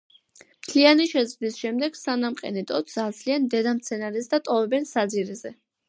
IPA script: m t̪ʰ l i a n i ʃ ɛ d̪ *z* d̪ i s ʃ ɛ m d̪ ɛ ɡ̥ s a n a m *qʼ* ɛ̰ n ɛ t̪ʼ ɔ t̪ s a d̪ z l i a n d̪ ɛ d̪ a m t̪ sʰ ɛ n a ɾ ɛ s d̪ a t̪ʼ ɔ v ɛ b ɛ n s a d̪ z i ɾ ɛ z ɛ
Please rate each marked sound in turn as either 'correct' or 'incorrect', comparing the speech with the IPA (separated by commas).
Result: correct, correct